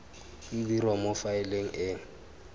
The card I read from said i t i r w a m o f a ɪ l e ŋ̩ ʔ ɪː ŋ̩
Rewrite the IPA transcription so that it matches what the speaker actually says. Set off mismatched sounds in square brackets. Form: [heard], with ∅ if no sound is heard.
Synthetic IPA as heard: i [d] i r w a m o f a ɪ l e ŋ̩ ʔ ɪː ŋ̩